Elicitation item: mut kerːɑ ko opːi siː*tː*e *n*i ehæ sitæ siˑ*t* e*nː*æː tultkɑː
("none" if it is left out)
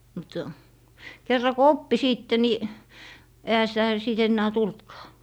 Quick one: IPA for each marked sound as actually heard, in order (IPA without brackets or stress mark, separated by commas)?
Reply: tː, n, t, nː